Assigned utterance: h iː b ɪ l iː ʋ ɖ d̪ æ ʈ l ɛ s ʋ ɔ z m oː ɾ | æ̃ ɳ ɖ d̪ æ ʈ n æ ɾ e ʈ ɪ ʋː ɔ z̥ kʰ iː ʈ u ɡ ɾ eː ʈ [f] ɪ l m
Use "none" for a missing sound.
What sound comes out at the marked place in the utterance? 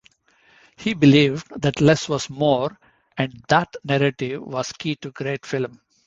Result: f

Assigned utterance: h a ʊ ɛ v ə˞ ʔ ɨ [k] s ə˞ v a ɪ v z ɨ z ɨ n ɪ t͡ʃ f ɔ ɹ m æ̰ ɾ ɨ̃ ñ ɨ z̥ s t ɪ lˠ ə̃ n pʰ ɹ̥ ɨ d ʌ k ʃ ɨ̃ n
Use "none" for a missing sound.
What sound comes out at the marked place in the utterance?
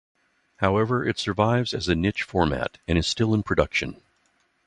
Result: t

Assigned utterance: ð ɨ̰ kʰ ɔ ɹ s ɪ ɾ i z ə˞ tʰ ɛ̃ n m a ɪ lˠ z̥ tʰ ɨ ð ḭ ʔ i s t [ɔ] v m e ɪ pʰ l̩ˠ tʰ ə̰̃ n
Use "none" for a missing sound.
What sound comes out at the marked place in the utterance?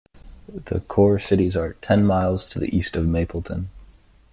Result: ʌ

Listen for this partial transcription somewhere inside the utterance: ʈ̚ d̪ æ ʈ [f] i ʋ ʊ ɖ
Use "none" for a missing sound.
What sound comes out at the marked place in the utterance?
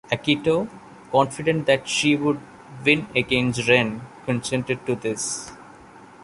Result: ʃ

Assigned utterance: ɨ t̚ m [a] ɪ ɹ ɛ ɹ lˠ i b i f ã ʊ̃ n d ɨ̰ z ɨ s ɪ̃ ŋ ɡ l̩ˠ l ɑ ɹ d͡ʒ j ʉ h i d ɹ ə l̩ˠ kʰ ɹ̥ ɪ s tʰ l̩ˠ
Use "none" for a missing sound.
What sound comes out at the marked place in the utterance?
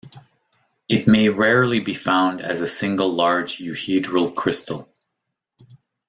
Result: e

